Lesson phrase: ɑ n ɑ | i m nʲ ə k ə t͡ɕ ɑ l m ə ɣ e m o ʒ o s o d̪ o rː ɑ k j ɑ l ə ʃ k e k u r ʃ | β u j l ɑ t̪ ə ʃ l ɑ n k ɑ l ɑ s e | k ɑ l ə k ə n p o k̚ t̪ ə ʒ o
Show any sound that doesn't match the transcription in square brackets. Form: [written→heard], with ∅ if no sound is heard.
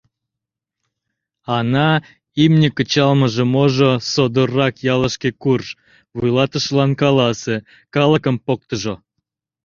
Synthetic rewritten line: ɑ n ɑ | i m nʲ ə k ə t͡ɕ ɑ l m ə [ɣ→ʒ] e m o ʒ o s o d̪ o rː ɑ k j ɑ l ə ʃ k e k u r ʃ | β u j l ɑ t̪ ə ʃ l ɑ n k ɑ l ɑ s e | k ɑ l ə k ə [n→m] p o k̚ t̪ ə ʒ o